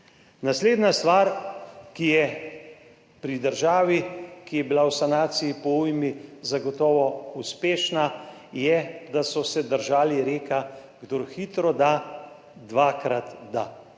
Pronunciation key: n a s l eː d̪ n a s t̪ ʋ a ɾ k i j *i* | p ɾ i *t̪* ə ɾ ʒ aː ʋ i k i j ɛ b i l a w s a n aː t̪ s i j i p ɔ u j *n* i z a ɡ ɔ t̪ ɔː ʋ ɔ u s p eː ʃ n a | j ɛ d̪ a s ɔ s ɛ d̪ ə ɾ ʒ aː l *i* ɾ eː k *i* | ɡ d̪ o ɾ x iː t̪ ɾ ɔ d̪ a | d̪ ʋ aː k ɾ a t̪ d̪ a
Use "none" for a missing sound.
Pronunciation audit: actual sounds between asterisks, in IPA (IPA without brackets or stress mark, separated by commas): ɛ, d̪, m, i, a